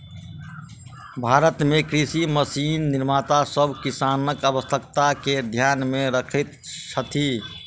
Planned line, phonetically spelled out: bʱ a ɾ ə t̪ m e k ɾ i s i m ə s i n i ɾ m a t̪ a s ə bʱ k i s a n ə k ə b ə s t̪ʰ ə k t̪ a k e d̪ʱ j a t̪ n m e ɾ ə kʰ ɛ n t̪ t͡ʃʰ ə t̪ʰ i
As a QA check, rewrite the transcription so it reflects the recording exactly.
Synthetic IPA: bʱ a ɾ ə t̪ m e k ɾ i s i m ə s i nː i ɾ m a t̪ a s ə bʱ k i s a n ə k ə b ə s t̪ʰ ə k t̪ a k e d̪ʱ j a n m e ɾ ə kʰ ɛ t̪ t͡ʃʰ ə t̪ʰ i